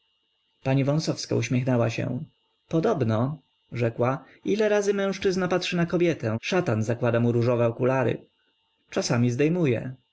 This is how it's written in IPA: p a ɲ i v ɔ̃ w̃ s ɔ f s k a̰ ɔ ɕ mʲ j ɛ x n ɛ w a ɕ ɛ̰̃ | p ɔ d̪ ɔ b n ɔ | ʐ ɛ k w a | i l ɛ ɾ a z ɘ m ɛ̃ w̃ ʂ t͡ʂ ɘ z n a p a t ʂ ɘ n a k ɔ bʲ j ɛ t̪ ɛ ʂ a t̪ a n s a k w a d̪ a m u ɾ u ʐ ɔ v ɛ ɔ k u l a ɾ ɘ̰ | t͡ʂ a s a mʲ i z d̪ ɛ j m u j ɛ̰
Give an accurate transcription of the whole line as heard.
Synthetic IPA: p a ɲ i v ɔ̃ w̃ s ɔ f s k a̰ u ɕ mʲ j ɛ x n ɛ w a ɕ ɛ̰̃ | p ɔ d̪ ɔ b n ɔ | ʐ ɛ k w a | i l ɛ ɾ a z ɘ m ɛ̃ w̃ ʂ t͡ʂ ɘ z n a p a t ʂ ɘ n a k ɔ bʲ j ɛ t̪ ɛ ʂ a t̪ a n z a k w a d̪ a m u ɾ u ʐ ɔ v ɛ ɔ k u l a ɾ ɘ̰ | t͡ʂ a s a mʲ i z d̪ ɛ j m u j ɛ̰

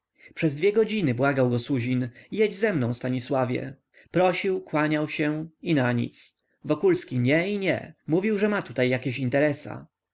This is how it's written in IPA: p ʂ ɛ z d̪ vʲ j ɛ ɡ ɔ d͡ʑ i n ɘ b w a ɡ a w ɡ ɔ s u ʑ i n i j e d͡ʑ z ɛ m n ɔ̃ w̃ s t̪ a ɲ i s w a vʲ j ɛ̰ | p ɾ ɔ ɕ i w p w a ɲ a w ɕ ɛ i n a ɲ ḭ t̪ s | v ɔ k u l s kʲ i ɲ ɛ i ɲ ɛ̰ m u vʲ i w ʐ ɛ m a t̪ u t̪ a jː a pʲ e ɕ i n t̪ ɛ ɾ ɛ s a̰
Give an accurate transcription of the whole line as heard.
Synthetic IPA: p ʂ ɛ z d̪ vʲ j ɛ ɡ ɔ d͡ʑ i n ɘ b w a ɡ a w ɡ ɔ s u ʑ i n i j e d͡ʑ z ɛ m n ɔ̃ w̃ s t̪ a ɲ i s w a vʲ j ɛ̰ | p ɾ ɔ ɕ i w k w a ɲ a w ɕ ɛ i n a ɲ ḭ t̪ s | v ɔ k u l s kʲ i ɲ ɛ i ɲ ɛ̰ m u vʲ i w ʐ ɛ m a t̪ u t̪ a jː a kʲ e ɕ i n t̪ ɛ ɾ ɛ s a̰

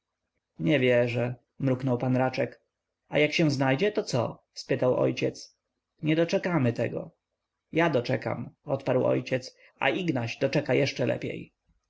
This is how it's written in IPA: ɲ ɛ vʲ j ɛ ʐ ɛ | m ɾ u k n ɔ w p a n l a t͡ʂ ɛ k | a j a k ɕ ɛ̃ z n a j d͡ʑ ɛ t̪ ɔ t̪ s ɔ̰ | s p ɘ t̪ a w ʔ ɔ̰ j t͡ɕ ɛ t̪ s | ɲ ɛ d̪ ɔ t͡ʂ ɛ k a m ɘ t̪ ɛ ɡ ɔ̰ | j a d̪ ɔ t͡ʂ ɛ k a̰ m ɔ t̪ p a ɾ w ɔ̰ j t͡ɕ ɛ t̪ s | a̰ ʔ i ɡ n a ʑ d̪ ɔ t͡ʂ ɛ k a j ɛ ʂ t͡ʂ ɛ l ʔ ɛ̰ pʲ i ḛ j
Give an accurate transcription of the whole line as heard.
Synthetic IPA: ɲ ɛ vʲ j ɛ ʐ ɛ | m ɾ u k n ɔ w p a n ɾ a t͡ʂ ɛ k | a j a k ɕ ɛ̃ z n a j d͡ʑ ɛ t̪ ɔ t̪ s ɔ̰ | s p ɘ t̪ a w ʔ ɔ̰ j t͡ɕ ɛ t̪ s | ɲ ɛ d̪ ɔ t͡ʂ ɛ k a m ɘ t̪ ɛ ɡ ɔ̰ | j a d̪ ɔ t͡ʂ ɛ k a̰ m ɔ t̪ p a ɾ w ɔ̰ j t͡ɕ ɛ t̪ s | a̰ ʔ i ɡ n a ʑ d̪ ɔ t͡ʂ ɛ k a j ɛ ʂ t͡ʂ ɛ l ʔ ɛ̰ pʲ j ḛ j

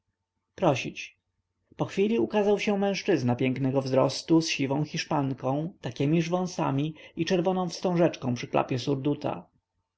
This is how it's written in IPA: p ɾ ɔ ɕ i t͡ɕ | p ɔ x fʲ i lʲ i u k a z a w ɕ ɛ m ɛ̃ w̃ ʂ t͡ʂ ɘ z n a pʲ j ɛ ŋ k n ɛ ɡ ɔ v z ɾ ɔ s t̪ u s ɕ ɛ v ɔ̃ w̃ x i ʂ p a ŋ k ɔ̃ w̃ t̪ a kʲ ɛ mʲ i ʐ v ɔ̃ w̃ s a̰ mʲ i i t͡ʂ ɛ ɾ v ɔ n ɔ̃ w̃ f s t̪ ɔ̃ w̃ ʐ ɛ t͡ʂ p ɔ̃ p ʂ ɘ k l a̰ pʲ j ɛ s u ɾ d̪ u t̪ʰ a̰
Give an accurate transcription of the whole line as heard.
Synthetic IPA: p ɾ ɔ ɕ i t͡ɕ | p ɔ x fʲ i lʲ i u k a z a w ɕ ɛ m ɛ̃ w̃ ʂ t͡ʂ ɘ z n a pʲ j ɛ ŋ k n ɛ ɡ ɔ v z ɾ ɔ s t̪ u s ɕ i v ɔ̃ w̃ x i ʂ p a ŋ k ɔ̃ w̃ t̪ a kʲ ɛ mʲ i ʐ v ɔ̃ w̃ s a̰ mʲ i i t͡ʂ ɛ ɾ v ɔ n ɔ̃ w̃ f s t̪ ɔ̃ w̃ ʐ ɛ t͡ʂ k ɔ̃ p ʂ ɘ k l a̰ pʲ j ɛ s u ɾ d̪ u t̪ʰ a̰

